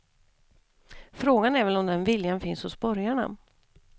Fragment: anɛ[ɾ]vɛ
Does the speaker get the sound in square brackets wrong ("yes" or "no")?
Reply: no